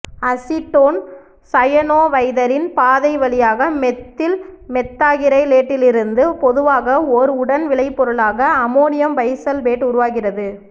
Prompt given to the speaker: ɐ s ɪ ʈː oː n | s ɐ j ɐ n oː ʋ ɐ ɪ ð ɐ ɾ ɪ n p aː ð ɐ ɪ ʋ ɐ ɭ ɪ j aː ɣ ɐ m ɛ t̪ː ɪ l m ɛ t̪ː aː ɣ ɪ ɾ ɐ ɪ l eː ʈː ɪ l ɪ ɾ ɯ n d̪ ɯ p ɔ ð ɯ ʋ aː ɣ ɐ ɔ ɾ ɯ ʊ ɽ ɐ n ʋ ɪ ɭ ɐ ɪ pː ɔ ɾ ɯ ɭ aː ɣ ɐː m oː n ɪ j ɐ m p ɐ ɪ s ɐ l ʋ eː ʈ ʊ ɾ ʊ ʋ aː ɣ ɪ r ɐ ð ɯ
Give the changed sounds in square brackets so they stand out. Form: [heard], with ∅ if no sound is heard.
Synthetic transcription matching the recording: ɐ s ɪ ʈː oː n | s ɐ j ɐ n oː ʋ ɐ ɪ ð ɐ ɾ ɪ n p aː ð ɐ ɪ ʋ ɐ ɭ ɪ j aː ɣ ɐ m ɛ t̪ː ɪ l m ɛ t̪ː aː ɣ ɪ ɾ ɐ ɪ l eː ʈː ɪ l ɪ ɾ ɯ n d̪ ɯ p ɔ ð ɯ ʋ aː ɣ ɐ ɔ ɾ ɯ ʊ ɽ ɐ n ʋ ɪ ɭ ɐ ɪ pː ɔ ɾ ɯ ɭ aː ɣ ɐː m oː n ɪ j ɐ m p ɐ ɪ s ɐ l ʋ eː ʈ ʊ ɾ ʊ ʋ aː ɣ ɪ r ɐ ð ɯ